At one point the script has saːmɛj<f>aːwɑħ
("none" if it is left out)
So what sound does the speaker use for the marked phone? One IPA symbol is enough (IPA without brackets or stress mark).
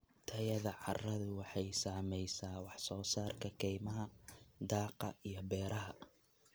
s